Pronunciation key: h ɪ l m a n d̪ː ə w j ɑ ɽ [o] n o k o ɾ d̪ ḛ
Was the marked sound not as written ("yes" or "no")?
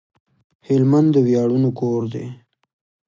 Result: yes